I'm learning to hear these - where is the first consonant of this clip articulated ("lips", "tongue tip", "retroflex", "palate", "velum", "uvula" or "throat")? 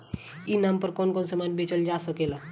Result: tongue tip